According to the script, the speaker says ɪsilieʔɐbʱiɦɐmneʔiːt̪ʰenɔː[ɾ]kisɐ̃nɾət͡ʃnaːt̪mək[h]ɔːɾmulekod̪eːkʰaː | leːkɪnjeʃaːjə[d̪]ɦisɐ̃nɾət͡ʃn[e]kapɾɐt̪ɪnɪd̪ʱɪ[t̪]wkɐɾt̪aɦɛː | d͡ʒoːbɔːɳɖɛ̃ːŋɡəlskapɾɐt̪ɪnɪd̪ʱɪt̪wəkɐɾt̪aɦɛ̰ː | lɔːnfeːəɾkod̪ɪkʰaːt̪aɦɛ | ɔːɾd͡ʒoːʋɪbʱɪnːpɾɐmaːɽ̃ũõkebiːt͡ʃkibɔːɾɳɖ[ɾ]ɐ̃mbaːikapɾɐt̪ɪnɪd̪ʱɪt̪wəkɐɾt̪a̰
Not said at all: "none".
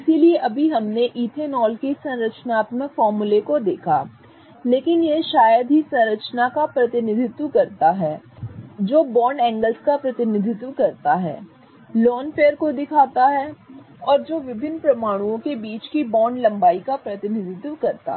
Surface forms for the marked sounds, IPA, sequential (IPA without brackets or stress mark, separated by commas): l, f, d̪, a, t̪, l